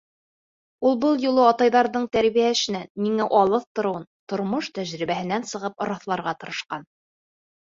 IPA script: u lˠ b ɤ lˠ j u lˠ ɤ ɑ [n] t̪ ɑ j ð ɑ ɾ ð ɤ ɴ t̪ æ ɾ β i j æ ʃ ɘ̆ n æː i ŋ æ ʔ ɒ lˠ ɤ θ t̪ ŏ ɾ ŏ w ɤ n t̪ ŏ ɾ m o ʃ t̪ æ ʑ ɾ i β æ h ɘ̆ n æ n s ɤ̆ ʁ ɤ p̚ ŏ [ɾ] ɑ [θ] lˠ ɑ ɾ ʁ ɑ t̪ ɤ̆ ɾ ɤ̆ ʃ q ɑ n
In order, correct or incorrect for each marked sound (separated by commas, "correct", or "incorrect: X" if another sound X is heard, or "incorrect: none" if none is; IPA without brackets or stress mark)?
incorrect: none, correct, correct